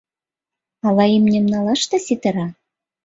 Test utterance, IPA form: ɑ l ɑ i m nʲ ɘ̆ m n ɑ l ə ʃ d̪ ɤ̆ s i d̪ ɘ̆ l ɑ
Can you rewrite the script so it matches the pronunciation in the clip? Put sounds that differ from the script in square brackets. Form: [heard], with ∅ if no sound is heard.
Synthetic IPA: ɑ l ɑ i m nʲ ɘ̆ m n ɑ l [ɑ] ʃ [t̪] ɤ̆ s i [t̪] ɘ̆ [ɾ] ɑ